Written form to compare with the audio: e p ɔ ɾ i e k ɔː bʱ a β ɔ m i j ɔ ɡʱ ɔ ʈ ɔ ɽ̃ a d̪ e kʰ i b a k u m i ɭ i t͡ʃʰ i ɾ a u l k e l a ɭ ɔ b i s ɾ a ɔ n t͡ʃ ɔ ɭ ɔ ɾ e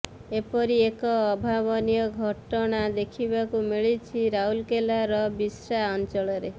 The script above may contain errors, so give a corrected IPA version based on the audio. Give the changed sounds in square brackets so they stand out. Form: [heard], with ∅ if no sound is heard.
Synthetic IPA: e p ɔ ɾ i e k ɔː bʱ a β ɔ [n] i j ɔ ɡʱ ɔ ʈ ɔ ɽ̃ a d̪ e kʰ i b a k u m i ɭ i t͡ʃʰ i ɾ a u l k e l a [ɾ] ɔ b i s ɾ a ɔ n t͡ʃ ɔ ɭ ɔ ɾ e